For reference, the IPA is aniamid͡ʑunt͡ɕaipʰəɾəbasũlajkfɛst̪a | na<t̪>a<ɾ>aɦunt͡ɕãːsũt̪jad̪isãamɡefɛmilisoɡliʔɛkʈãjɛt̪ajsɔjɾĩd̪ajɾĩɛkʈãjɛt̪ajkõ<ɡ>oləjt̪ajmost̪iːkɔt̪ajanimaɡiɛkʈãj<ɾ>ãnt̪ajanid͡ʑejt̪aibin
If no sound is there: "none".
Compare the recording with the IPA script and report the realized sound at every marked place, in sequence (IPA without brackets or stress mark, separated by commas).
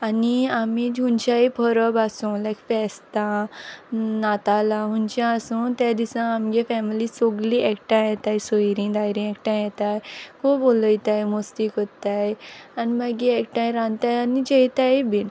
t̪, l, b, ɾ